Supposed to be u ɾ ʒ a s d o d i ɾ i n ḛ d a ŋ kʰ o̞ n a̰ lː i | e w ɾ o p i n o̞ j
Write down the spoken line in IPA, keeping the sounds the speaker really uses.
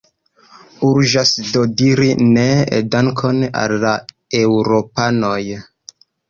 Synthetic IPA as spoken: u ɾ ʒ a s d o d i ɾ i n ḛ d a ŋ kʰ o̞ n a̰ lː a | e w ɾ o p a n o̞ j